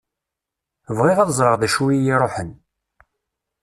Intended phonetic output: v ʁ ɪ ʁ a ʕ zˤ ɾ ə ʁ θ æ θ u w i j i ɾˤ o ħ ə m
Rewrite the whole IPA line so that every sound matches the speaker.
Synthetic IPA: v ʁ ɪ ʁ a ð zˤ ɾ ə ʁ ð æ ʃ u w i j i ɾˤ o ħ ə n